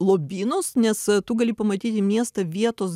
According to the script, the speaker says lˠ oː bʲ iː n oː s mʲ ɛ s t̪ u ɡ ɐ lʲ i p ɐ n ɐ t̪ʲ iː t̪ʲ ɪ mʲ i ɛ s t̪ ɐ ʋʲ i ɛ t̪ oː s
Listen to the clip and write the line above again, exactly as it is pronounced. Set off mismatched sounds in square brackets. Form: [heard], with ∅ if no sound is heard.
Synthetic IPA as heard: lˠ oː bʲ iː n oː s [nʲ] ɛ s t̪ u ɡ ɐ lʲ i p ɐ [m] ɐ t̪ʲ iː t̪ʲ ɪ mʲ i ɛ s t̪ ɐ ʋʲ i ɛ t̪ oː s